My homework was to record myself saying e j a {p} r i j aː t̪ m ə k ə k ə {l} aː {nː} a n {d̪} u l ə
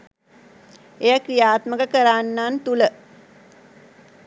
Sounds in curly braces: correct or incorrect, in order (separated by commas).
incorrect, incorrect, correct, incorrect